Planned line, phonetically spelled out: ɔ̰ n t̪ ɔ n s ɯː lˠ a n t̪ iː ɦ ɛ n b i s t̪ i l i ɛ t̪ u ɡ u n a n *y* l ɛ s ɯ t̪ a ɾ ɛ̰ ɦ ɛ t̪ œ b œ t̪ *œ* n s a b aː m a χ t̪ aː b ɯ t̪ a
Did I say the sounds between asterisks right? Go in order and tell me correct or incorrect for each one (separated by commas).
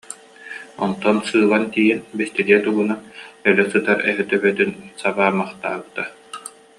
incorrect, incorrect